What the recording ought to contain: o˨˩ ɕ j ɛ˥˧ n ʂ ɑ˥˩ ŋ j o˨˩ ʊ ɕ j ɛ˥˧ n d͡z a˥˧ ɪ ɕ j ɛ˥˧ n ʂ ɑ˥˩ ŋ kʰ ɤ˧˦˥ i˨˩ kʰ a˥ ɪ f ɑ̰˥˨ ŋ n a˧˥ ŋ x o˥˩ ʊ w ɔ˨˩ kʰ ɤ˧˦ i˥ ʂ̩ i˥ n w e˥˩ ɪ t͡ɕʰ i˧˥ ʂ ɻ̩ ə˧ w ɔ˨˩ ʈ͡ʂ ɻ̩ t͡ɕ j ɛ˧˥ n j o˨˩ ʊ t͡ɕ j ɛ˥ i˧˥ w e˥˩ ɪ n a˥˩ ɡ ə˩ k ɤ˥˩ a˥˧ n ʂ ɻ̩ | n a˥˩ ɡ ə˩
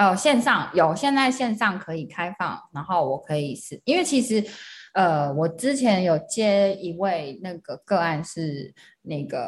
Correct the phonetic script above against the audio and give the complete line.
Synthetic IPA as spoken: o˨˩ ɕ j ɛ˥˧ n ʂ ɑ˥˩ ŋ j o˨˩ ʊ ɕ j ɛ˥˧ n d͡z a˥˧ ɪ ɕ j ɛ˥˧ n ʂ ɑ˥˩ ŋ kʰ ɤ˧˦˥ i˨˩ kʰ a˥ ɪ f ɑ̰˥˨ ŋ n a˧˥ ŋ x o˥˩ ʊ w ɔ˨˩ kʰ ɤ˧˦ i˨˩ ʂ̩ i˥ n w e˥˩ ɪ t͡ɕʰ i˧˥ ʂ ɻ̩ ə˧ w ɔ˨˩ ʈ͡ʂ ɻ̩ t͡ɕʰ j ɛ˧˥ n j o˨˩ ʊ t͡ɕ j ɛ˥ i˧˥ w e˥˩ ɪ n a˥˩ ɡ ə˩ k ɤ˥˧ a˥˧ n ʂ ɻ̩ | n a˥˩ ɡ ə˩